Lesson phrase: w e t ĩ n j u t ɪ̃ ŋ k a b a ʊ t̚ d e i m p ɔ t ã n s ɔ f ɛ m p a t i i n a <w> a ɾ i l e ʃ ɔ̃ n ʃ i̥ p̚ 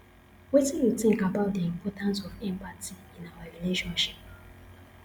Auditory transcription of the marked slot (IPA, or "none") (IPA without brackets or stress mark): w